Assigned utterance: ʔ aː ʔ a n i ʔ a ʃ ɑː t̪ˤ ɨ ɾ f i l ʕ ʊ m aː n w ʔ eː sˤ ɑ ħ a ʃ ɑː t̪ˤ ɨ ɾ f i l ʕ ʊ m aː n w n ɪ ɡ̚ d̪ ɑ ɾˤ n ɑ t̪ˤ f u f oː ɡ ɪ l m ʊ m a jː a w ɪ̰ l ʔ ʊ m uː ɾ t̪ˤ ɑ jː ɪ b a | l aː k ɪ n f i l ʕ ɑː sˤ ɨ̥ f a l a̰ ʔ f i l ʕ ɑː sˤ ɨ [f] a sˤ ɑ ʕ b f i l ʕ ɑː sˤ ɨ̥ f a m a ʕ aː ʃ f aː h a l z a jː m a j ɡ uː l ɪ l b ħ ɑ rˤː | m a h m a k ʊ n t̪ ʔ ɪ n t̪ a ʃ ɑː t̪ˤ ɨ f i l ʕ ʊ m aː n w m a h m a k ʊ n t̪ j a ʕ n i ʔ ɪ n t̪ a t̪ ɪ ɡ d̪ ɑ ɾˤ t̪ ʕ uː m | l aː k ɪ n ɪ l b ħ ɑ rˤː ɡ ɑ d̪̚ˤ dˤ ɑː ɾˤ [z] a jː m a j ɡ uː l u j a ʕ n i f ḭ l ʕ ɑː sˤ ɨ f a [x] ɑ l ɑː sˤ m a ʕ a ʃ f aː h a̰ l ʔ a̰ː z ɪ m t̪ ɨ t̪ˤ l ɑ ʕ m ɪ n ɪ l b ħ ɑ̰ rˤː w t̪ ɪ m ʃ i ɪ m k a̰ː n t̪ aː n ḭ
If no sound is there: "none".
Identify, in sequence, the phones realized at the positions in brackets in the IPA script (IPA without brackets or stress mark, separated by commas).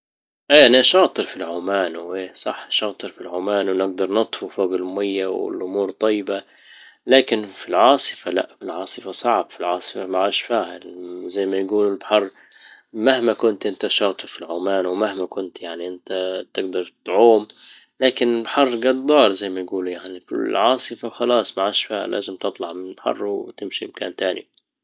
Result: f, z, x